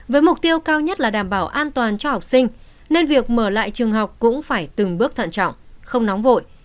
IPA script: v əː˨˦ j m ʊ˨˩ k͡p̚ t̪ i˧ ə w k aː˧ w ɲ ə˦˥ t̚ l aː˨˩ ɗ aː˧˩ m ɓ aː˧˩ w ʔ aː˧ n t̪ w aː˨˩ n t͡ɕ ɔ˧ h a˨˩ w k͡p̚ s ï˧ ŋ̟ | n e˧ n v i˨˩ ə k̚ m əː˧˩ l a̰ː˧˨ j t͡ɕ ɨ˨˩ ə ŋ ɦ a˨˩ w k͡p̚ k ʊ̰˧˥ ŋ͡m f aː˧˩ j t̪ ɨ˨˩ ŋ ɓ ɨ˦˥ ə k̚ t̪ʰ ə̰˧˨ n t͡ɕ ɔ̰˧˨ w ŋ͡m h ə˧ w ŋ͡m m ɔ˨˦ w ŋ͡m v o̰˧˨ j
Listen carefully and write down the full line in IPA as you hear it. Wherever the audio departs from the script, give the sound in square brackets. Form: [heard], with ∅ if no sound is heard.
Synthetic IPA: v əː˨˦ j m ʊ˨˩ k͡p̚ t̪ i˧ ə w k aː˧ w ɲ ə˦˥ t̚ l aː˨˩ ɗ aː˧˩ m ɓ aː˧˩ w ʔ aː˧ n t̪ w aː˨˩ n t͡ɕ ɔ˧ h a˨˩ w k͡p̚ s ï˧ ŋ̟ | n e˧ n v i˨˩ ə k̚ m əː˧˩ l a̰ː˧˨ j t͡ɕ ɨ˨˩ ə ŋ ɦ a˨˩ w k͡p̚ k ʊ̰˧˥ ŋ͡m f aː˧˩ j t̪ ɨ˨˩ ŋ ɓ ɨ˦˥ ə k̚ t̪ʰ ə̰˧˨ n t͡ɕ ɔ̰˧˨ w ŋ͡m [x] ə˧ w ŋ͡m [n] ɔ˨˦ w ŋ͡m v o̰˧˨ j